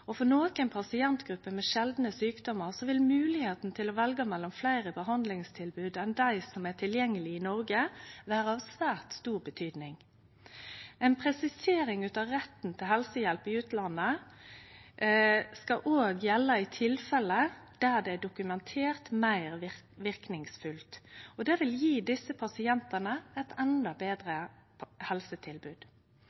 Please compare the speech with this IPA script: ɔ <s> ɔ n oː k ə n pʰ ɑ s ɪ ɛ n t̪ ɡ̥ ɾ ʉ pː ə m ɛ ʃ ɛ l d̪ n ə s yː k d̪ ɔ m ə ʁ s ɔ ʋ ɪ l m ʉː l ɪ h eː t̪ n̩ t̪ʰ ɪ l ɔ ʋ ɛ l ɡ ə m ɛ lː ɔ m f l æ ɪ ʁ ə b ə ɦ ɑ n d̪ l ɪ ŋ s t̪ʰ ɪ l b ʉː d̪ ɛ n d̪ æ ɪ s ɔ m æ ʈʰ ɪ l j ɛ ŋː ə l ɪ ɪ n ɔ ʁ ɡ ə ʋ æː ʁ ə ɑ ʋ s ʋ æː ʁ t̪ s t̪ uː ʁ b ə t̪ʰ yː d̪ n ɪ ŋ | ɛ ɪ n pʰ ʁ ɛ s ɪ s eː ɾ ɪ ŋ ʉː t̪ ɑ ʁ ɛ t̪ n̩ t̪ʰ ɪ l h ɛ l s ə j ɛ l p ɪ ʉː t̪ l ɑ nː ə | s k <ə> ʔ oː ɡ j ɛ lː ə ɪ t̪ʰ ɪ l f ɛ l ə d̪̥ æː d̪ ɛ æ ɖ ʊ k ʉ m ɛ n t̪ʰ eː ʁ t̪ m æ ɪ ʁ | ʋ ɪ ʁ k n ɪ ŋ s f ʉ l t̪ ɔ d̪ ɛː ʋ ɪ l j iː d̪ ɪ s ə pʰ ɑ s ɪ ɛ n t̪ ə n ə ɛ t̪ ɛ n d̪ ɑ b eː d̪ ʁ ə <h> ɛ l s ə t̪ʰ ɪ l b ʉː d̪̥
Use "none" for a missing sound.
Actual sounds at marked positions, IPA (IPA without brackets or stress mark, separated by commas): f, ɑ, h